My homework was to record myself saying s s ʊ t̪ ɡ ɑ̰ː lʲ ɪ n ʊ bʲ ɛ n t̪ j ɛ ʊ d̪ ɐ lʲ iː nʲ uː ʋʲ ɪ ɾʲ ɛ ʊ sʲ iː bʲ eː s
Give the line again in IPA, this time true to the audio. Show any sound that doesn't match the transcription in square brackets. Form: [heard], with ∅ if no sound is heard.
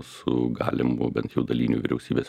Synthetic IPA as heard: s s ʊ [∅] ɡ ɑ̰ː lʲ ɪ [m] ʊ bʲ ɛ n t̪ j ɛ ʊ d̪ ɐ lʲ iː nʲ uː ʋʲ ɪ ɾʲ ɛ ʊ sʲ iː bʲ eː s